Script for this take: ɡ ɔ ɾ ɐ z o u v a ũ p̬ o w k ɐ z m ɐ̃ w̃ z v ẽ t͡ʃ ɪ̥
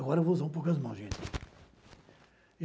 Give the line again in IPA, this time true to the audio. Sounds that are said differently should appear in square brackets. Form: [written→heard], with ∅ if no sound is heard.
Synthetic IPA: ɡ ɔ ɾ ɐ [z→v] o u [v→z] a ũ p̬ o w k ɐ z m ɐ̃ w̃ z [v→ʒ] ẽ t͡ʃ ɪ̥